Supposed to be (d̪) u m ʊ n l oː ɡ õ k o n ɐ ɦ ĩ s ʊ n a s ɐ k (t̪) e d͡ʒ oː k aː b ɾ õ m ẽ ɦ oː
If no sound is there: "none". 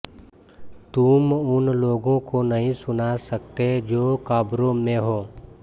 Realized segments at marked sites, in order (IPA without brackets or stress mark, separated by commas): t̪, t̪